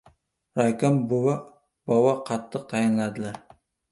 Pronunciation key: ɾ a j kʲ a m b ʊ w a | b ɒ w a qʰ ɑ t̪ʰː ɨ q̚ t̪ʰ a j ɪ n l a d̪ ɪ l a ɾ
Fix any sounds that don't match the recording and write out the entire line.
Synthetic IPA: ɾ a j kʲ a m b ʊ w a | b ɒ w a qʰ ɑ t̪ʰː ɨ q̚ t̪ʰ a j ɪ n l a d̪ ɪ l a ɾ